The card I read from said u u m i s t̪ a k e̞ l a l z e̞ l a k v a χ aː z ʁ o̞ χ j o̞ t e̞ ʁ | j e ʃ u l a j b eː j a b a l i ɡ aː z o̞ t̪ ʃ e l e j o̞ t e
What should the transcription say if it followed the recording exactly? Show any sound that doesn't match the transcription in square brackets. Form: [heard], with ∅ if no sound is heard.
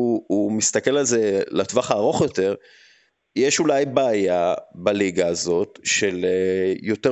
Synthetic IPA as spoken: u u m i s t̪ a k e̞ l a l z e̞ l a [t] v a χ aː [∅] ʁ o̞ χ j o̞ t e̞ ʁ | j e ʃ u l a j b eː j a b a l i ɡ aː z o̞ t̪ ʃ e l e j o̞ t e